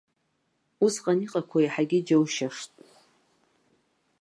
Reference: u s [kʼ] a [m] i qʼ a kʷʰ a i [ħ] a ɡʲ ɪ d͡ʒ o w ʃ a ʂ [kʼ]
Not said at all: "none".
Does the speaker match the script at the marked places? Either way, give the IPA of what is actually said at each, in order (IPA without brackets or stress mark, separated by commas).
qʼ, n, ħ, tʼ